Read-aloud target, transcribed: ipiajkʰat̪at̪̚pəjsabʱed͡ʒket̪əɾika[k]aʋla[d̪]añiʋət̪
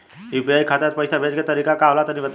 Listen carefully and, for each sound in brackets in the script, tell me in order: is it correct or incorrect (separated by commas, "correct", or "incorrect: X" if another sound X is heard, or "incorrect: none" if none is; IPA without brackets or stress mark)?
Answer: correct, incorrect: t̪